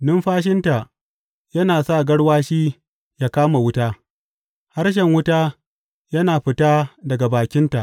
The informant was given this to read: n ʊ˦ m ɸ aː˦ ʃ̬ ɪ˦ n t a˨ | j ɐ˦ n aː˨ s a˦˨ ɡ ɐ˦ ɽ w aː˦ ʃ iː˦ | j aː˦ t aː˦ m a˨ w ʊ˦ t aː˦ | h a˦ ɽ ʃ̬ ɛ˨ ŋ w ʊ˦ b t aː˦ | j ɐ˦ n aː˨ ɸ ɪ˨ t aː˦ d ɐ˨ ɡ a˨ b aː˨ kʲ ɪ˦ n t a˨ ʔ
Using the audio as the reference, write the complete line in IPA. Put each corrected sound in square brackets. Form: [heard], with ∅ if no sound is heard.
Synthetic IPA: n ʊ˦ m ɸ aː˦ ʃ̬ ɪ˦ n t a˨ | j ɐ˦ n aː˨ s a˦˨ ɡ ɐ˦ ɽ w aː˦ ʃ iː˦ | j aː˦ [k] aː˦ m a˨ w ʊ˦ t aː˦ | h a˦ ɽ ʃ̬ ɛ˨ ŋ w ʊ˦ [∅] t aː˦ | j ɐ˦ n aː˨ ɸ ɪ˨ t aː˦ d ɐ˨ ɡ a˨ b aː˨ kʲ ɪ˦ n t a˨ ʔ